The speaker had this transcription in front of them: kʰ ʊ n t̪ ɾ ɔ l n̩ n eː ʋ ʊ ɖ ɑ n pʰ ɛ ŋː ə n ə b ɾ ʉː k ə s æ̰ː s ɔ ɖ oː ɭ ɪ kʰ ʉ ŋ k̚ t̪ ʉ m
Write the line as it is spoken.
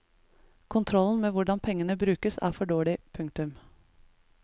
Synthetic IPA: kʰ ʊ n t̪ʰ ɾ ɔ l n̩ m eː ʋ ʊ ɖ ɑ n pʰ ɛ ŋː ə n ə b ɾ ʉː k ə s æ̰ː f ɔ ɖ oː ɭ ɪ pʰ ʉ ŋ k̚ t̪ ʉ m